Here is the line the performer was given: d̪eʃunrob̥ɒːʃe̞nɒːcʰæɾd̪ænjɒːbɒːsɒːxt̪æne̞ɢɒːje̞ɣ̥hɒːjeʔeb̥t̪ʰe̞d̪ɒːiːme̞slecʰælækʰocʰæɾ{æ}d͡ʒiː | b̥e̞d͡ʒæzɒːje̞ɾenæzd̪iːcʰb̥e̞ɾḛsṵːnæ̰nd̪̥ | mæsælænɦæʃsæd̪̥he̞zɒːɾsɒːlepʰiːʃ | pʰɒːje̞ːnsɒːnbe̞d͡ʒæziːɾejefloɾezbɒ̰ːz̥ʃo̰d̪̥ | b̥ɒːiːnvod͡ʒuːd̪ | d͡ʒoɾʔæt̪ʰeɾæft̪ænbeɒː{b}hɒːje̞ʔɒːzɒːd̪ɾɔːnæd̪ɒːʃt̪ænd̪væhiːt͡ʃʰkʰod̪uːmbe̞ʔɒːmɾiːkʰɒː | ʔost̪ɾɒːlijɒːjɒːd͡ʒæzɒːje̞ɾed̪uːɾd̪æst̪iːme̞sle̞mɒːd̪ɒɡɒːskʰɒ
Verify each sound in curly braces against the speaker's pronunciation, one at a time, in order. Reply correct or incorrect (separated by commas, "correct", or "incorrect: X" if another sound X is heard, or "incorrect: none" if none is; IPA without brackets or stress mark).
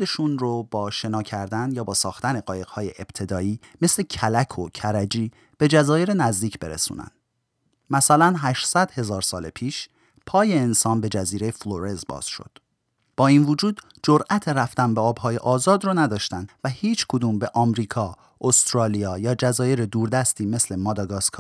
correct, correct